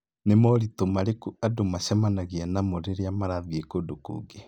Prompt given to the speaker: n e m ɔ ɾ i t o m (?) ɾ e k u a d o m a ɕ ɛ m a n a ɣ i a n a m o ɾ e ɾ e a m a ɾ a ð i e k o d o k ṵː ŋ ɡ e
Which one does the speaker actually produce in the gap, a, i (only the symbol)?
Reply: a